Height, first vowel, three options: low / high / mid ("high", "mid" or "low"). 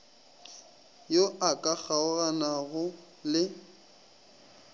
mid